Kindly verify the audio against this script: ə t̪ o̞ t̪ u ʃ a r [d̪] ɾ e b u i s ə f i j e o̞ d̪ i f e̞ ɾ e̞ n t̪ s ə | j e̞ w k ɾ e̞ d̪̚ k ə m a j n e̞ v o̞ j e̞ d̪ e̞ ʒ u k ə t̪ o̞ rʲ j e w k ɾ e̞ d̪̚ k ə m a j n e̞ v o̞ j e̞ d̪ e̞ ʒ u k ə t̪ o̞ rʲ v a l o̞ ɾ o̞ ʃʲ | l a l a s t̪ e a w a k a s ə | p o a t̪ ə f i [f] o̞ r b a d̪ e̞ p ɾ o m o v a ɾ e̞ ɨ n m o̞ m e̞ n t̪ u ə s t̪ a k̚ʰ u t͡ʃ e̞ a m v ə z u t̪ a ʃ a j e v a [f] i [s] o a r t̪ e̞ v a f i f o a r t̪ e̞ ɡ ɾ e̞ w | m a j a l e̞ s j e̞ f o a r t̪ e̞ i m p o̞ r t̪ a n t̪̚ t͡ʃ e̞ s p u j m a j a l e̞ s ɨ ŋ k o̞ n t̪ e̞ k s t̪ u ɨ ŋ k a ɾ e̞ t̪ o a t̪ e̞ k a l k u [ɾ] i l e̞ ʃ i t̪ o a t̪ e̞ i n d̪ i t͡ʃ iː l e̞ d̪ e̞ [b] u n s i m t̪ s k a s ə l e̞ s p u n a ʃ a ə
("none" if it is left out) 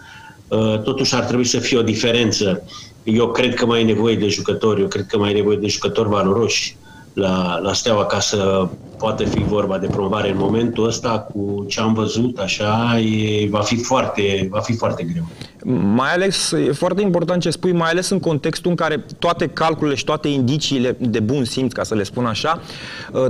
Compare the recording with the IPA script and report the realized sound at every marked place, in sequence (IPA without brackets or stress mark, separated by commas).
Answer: t̪, v, f, f, l, b